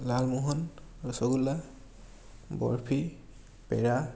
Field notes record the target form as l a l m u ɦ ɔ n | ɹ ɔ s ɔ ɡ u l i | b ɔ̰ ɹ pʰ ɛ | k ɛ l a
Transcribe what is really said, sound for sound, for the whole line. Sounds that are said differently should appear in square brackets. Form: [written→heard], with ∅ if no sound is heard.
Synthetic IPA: l a l m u ɦ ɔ n | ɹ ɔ s ɔ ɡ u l [i→a] | b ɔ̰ ɹ pʰ [ɛ→i] | [k→p] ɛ [l→ɹ] a

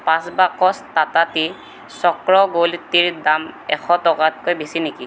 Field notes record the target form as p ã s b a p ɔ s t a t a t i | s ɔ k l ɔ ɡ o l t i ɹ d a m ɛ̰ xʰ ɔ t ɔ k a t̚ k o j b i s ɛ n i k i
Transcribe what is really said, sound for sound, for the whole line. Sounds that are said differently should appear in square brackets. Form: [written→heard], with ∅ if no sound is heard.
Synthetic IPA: p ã s b a [p→k] ɔ s t a t a t i | s ɔ k [l→ɹ] ɔ ɡ o l t i ɹ d a m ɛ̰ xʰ ɔ t ɔ k a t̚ k o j b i s [ɛ→i] n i k i

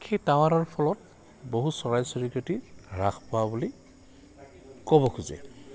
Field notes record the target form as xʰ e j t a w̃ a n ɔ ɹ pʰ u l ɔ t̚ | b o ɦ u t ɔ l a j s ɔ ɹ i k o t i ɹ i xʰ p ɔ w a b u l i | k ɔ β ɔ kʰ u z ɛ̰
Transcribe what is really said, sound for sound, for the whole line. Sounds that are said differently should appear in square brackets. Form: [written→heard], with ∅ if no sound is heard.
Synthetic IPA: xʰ e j t a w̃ a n ɔ ɹ pʰ [u→ɔ] l ɔ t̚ | b o ɦ u [t→s] ɔ [l→ɹ] a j s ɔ ɹ i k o t i ɹ [i→a] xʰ p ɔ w a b u l i | k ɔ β ɔ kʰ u z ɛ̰

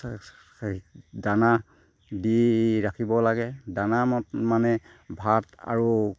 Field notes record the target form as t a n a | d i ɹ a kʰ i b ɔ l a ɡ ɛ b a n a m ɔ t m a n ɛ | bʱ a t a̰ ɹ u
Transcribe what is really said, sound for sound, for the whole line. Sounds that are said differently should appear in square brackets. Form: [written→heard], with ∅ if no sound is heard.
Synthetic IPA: [t→d] a n a | d i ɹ a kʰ i b ɔ l a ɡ ɛ [b→d] a n a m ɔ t m a n ɛ | bʱ a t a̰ ɹ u

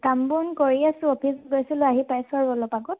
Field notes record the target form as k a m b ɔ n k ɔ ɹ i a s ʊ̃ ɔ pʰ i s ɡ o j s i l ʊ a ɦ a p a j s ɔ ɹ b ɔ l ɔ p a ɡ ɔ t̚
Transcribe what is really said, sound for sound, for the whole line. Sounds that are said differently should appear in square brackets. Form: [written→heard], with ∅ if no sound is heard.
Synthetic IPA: k a m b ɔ n k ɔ ɹ i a s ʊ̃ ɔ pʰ i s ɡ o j s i l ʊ a ɦ [a→i] p a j s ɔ ɹ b ɔ l ɔ p a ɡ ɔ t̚

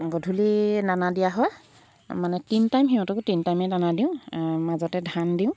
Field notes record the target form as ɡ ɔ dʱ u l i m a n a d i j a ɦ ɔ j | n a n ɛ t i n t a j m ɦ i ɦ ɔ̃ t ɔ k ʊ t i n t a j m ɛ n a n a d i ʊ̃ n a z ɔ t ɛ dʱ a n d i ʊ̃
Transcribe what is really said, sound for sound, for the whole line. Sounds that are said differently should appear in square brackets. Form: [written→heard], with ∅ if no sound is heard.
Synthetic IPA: ɡ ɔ dʱ u l i [m→n] a n a d i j a ɦ ɔ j | [n→m] a n ɛ t i n t a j m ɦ i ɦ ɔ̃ t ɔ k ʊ t i n t a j m ɛ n a n a d i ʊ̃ [n→m] a z ɔ t ɛ dʱ a n d i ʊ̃

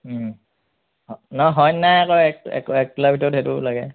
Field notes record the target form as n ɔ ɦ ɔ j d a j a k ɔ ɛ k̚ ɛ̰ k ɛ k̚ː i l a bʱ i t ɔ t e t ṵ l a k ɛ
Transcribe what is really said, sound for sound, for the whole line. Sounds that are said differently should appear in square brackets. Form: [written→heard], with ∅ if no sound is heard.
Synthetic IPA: n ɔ ɦ ɔ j [d→n] a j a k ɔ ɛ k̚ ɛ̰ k ɛ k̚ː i l a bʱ i t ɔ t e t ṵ l a [k→ɡ] ɛ

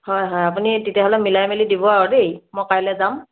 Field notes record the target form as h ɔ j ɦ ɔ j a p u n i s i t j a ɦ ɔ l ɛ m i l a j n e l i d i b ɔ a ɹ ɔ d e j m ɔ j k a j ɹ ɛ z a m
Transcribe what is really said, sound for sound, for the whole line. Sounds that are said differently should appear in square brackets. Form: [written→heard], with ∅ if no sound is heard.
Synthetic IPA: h ɔ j ɦ ɔ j a p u n i [s→t] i t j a ɦ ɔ l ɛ m i l a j [n→m] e l i d i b ɔ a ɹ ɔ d e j m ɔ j k a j [ɹ→l] ɛ z a m

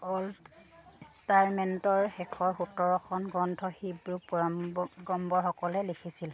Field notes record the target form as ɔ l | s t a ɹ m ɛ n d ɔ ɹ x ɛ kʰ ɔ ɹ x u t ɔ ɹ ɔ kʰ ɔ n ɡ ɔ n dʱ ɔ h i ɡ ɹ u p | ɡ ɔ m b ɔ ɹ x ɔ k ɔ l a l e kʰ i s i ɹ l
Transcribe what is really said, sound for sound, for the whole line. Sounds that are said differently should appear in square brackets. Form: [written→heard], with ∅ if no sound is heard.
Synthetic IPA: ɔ l | s t a ɹ m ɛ n [d→t] ɔ ɹ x ɛ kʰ ɔ ɹ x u t ɔ ɹ ɔ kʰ ɔ n ɡ ɔ n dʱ ɔ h i [ɡ→b] ɹ u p | ɡ ɔ m b ɔ ɹ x ɔ k ɔ l [a→ɛ] l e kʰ i s i [ɹ→∅] l

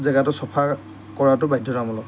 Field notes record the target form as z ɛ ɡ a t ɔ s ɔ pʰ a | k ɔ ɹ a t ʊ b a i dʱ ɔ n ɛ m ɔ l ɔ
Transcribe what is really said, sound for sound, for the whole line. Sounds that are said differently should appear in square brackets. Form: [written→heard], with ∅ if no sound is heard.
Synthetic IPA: z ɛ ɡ a t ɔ s ɔ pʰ a | k ɔ ɹ a t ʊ b a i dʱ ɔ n [ɛ→a] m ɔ l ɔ

